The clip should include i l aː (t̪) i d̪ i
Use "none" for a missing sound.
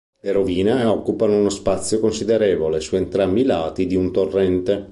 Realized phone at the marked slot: t̪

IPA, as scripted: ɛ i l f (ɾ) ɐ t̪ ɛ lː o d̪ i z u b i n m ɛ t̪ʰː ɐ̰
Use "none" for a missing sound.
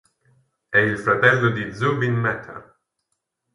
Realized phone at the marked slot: ɾ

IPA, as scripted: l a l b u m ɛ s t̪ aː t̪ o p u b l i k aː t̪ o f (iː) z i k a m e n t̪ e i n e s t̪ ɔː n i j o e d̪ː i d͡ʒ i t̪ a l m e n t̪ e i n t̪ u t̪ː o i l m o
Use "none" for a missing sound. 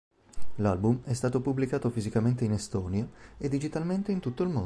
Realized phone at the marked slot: i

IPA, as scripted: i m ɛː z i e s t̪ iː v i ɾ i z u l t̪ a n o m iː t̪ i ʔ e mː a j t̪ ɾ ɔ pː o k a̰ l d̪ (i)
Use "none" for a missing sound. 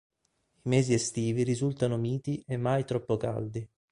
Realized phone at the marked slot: i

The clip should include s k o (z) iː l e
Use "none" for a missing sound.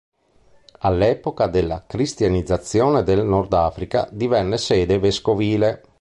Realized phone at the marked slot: v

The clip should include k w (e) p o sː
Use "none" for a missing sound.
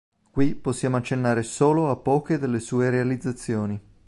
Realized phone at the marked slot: i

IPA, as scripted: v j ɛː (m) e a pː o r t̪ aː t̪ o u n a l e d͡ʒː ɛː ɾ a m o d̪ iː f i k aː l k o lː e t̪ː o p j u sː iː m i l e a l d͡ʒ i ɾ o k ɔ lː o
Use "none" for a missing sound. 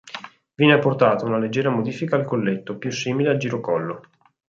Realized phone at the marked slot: n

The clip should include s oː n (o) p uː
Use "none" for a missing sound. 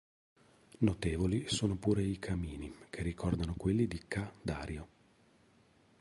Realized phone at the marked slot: o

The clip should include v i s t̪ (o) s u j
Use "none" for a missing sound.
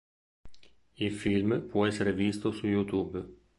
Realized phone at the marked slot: o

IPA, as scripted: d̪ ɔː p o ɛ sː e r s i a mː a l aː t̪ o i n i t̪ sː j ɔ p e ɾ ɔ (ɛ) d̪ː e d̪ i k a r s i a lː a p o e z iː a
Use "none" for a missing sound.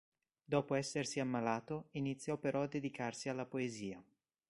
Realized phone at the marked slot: a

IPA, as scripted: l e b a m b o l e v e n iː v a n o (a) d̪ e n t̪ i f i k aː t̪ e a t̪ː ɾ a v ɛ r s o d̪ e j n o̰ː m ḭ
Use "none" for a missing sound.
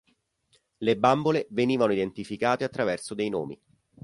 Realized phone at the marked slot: i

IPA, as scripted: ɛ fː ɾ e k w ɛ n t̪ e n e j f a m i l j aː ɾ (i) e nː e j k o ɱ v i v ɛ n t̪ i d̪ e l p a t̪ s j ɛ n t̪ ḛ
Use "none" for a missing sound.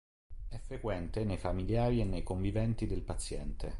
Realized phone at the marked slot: i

